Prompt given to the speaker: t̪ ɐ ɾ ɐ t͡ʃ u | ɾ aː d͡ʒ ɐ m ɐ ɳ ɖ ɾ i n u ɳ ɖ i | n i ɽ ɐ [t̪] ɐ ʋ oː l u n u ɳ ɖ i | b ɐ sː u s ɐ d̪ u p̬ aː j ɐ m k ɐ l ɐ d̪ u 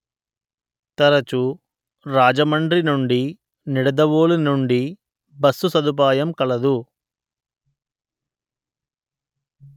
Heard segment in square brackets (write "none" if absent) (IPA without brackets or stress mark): d̪